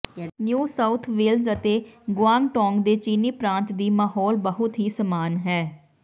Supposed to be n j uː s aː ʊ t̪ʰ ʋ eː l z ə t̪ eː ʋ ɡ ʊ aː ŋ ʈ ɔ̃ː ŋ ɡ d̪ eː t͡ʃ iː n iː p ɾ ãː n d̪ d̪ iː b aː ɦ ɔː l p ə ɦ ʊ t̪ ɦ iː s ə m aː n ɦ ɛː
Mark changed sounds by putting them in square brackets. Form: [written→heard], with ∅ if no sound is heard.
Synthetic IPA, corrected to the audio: n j uː s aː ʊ t̪ʰ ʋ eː l z ə t̪ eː [ʋ→∅] ɡ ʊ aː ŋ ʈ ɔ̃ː ŋ ɡ d̪ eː t͡ʃ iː n iː p ɾ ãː n [d̪→t̪] d̪ iː [b→m] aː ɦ ɔː l [p→b] ə ɦ ʊ t̪ ɦ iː s ə m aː n ɦ ɛː